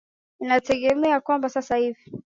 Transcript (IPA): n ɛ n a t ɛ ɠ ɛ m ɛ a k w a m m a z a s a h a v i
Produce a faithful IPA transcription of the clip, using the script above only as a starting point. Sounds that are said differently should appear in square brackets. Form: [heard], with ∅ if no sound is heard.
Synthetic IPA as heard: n [i] n a t ɛ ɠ ɛ m ɛ a k w a m [b] a [s] a s a h [i] v i